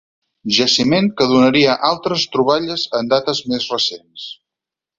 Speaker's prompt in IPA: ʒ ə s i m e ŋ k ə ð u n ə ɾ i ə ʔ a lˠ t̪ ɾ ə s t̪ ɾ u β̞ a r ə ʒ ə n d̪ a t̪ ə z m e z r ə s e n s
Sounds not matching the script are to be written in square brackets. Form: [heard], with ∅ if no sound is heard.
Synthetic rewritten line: ʒ ə s i m e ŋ k ə ð u n ə ɾ i ə ʔ a lˠ t̪ ɾ ə s t̪ ɾ u β̞ a [ʎ] ə [z] ə n d̪ a t̪ ə z m e z r ə s e n s